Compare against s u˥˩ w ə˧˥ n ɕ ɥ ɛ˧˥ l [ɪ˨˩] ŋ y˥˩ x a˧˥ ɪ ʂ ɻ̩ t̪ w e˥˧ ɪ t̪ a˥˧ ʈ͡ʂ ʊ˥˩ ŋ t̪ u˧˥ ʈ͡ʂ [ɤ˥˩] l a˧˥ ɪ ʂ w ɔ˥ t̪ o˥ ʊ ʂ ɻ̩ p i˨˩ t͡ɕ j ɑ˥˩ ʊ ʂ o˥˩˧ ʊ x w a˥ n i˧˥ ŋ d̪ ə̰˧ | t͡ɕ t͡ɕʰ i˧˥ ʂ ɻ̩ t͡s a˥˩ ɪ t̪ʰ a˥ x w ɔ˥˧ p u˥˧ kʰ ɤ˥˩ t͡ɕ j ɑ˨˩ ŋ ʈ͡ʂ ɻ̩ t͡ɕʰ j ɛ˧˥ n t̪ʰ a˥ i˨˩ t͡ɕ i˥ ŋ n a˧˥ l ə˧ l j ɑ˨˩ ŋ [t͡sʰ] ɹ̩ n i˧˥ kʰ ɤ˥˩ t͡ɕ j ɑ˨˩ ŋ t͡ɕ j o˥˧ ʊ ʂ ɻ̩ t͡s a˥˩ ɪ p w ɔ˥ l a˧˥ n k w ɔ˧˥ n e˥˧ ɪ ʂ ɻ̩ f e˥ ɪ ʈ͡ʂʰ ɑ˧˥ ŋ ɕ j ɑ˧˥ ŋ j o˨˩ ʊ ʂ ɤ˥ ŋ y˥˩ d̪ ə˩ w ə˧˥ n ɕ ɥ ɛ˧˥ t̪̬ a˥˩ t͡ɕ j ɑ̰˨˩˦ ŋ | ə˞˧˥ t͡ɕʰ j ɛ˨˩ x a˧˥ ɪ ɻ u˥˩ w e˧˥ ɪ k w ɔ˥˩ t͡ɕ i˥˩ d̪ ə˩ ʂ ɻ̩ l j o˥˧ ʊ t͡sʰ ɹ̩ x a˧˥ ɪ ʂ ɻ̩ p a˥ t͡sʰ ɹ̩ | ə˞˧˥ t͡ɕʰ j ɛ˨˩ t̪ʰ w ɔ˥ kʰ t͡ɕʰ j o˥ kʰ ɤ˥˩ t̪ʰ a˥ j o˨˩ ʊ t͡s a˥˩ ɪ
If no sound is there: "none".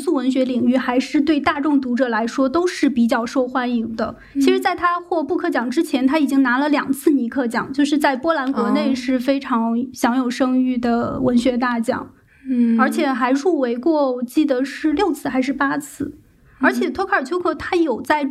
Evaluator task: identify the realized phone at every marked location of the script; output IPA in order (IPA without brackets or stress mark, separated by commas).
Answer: i˨˩, ɤ˨˩, t͡sʰ